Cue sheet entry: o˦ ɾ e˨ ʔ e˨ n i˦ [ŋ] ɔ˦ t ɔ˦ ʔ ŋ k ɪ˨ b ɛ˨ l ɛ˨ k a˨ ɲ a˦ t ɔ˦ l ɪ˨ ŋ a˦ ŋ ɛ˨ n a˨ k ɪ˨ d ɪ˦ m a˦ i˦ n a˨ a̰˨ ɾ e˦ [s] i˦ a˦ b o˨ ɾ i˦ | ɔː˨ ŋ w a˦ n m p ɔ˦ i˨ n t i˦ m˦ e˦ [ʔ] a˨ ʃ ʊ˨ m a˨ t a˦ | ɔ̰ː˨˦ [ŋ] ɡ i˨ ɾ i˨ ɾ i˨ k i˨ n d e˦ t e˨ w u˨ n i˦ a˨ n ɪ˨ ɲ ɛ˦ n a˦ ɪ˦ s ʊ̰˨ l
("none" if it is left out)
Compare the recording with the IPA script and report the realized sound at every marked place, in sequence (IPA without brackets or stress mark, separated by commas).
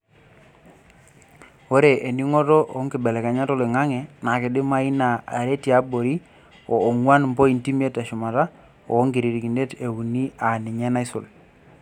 ŋ, t, t, ŋ